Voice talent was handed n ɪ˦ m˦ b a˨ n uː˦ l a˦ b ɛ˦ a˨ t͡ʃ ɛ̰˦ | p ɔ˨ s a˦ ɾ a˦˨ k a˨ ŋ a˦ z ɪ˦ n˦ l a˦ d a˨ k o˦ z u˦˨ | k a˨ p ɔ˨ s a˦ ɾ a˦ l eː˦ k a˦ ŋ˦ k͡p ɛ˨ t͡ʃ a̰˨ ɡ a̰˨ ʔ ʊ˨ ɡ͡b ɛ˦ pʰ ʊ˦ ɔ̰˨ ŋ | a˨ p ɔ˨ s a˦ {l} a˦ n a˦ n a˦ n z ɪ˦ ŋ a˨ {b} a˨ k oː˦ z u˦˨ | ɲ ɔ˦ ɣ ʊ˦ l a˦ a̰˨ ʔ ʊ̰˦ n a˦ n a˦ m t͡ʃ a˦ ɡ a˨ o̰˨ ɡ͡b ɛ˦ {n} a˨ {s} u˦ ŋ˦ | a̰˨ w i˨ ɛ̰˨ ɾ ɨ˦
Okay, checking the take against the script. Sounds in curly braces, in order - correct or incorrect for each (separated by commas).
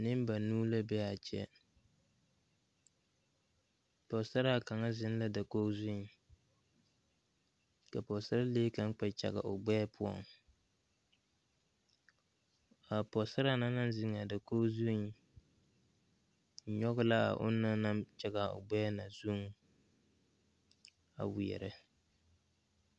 incorrect, incorrect, correct, incorrect